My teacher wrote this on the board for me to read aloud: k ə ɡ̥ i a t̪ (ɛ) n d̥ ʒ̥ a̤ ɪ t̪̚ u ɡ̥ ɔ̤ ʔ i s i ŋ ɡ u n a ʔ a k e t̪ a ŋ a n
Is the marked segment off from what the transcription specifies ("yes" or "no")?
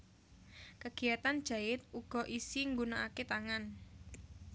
yes